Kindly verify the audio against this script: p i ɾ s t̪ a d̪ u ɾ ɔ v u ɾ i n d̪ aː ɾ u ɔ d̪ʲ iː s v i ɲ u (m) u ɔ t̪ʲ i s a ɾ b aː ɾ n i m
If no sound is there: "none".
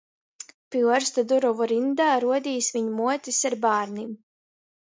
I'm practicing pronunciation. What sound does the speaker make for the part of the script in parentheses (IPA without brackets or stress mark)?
m